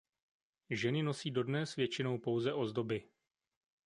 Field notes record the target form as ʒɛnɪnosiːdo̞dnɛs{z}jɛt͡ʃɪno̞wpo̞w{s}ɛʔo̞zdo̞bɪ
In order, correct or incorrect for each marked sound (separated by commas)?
incorrect, incorrect